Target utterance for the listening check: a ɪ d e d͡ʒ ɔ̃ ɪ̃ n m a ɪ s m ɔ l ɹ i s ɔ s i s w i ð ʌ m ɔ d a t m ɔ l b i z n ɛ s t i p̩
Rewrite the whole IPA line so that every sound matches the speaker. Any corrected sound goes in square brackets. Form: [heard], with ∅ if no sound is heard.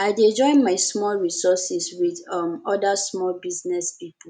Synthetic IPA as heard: a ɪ d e d͡ʒ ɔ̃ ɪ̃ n m a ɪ s m ɔ l ɹ i s ɔ s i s w i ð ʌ m ɔ d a [s] m ɔ l b i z n ɛ s [p] i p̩